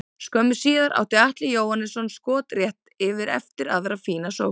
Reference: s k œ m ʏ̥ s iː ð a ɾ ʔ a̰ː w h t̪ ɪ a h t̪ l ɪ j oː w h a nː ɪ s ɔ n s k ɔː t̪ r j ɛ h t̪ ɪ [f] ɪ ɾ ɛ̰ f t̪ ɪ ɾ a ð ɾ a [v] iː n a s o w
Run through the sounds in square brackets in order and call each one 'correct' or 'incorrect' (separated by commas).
incorrect, incorrect